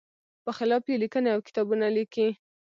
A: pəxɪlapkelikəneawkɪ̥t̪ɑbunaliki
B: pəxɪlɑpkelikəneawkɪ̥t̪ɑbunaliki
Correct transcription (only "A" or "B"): B